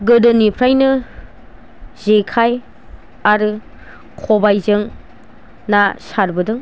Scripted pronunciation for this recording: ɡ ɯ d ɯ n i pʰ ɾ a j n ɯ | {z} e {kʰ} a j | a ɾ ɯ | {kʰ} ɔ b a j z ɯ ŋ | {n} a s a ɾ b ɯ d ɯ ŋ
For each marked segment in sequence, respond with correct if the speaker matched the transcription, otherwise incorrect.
correct, correct, correct, correct

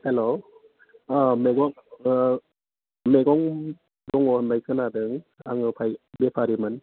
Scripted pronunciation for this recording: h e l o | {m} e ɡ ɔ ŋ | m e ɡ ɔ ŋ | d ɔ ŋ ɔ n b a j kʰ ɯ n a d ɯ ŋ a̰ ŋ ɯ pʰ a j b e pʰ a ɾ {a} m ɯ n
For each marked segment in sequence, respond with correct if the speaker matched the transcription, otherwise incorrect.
correct, incorrect: i

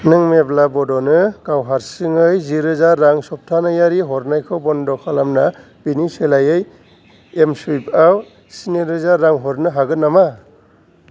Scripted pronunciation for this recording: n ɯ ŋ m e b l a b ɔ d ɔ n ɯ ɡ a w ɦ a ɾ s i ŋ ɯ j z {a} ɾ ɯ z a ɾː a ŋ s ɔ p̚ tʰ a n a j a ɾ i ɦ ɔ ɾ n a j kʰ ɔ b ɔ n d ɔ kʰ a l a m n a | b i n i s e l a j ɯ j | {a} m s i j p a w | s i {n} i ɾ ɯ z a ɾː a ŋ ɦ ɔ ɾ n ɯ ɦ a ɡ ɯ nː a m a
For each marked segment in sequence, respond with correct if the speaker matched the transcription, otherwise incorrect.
incorrect: i, incorrect: e, correct

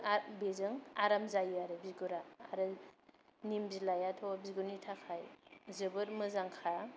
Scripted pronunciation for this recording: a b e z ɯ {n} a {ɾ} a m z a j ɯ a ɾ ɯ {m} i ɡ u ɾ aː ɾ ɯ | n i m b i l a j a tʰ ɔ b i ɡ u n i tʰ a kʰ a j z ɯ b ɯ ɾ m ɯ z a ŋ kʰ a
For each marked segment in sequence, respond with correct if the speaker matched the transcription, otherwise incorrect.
incorrect: ŋ, correct, incorrect: b

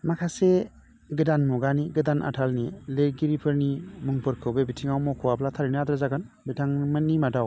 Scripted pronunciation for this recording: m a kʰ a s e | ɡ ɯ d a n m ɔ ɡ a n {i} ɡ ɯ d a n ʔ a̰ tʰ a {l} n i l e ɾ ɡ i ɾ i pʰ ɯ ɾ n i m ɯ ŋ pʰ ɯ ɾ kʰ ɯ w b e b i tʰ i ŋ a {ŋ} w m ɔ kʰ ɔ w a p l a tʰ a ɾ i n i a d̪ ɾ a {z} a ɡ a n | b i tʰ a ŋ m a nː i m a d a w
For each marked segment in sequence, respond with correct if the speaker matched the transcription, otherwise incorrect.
correct, correct, incorrect: none, correct

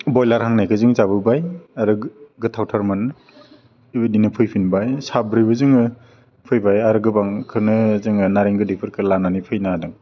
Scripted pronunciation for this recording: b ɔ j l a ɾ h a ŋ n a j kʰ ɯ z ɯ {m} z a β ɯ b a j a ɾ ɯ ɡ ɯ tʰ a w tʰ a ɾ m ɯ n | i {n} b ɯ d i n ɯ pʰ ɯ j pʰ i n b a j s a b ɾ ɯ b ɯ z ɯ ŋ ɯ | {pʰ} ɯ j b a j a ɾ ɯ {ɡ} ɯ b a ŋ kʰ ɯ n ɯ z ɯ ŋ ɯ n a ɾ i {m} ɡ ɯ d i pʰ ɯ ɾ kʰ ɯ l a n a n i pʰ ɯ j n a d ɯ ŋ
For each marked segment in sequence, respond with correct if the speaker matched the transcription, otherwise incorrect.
incorrect: ŋ, incorrect: none, correct, correct, incorrect: ŋ

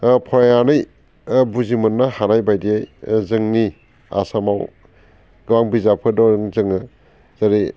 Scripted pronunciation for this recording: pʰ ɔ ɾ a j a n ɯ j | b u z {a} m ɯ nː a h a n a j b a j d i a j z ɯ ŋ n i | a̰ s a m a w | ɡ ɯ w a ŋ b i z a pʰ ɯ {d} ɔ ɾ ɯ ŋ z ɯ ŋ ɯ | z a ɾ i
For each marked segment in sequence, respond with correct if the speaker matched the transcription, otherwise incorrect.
incorrect: i, correct

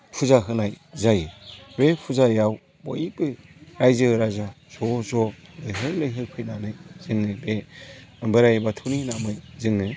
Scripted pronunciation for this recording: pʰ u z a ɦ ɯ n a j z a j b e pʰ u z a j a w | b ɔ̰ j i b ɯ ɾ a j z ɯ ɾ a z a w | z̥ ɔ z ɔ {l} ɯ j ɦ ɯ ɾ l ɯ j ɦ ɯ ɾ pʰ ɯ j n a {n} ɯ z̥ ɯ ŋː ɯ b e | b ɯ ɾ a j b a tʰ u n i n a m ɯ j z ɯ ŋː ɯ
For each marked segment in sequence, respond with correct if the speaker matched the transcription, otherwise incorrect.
correct, correct

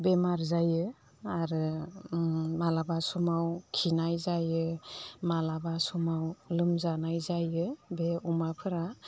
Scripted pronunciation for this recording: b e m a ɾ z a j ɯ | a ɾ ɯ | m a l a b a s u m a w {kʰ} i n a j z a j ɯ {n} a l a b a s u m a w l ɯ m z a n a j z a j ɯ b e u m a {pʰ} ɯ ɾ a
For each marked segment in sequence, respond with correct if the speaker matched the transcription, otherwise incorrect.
correct, incorrect: m, correct

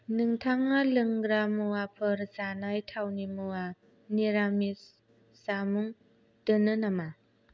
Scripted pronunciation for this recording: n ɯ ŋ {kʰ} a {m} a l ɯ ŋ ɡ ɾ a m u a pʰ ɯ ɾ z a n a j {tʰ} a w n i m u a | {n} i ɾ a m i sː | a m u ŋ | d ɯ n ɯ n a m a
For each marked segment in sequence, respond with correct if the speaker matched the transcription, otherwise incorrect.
incorrect: tʰ, incorrect: ŋ, correct, correct

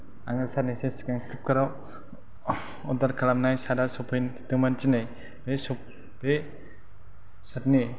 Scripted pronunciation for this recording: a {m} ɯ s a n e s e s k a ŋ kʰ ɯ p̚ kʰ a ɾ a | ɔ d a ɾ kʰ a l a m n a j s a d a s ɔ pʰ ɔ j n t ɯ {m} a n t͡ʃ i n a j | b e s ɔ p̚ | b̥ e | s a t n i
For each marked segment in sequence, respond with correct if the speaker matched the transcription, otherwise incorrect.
incorrect: ŋ, correct

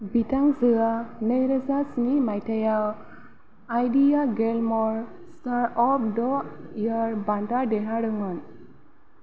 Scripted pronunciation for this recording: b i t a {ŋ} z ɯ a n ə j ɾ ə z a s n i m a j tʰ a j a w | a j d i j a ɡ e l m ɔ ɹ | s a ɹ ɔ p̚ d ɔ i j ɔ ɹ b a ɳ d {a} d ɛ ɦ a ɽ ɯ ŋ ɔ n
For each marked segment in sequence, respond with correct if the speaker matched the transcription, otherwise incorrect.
correct, correct

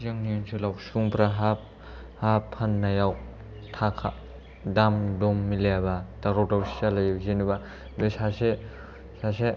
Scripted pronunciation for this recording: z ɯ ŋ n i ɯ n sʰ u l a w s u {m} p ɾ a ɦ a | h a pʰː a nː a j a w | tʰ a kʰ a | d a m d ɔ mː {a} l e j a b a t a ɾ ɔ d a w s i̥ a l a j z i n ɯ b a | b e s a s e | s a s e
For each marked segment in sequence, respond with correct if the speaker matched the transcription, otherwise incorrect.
incorrect: ŋ, incorrect: i

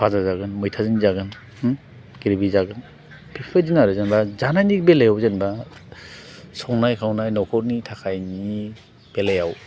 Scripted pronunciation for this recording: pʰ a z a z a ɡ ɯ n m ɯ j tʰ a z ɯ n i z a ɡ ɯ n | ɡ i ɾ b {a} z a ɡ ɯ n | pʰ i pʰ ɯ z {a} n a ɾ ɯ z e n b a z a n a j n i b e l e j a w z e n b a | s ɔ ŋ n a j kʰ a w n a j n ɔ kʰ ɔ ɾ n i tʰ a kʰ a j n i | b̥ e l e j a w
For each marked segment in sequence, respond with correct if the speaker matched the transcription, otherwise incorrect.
incorrect: i, incorrect: i

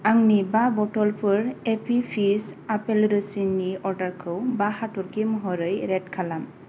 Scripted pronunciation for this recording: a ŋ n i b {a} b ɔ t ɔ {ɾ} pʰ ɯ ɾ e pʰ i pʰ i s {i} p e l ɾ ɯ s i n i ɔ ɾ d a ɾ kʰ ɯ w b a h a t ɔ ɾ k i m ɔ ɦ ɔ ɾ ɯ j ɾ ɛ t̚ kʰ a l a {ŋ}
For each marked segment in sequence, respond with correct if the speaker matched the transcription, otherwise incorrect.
correct, incorrect: l, incorrect: a, incorrect: m

